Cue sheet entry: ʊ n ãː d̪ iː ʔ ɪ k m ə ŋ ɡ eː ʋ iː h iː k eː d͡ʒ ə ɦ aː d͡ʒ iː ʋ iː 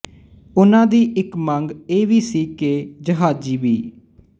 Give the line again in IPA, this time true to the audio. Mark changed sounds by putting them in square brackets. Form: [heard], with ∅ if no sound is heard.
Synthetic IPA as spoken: ʊ n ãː d̪ iː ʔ ɪ k m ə ŋ ɡ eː ʋ iː [s] iː k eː d͡ʒ ə ɦ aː d͡ʒ iː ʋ iː